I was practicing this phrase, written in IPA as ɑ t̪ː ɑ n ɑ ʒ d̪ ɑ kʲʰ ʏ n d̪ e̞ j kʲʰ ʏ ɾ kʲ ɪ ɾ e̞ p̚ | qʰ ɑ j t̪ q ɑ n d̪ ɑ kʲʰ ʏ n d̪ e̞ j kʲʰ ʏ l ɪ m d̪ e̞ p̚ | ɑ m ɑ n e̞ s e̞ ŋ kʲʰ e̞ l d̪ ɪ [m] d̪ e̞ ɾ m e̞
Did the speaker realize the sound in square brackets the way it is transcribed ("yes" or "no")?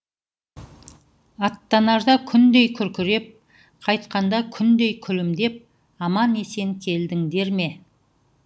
no